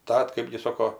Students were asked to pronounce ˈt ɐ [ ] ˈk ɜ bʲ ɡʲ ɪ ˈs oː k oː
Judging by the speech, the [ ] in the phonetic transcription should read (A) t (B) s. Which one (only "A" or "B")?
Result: A